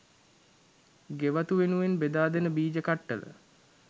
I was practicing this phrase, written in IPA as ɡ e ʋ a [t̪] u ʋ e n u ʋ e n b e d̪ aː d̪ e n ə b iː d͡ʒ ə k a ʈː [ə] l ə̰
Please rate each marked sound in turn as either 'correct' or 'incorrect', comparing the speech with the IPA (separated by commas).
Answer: correct, correct